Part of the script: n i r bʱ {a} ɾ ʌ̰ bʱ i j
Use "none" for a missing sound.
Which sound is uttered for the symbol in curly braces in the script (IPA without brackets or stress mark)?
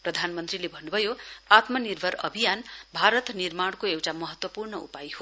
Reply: ʌ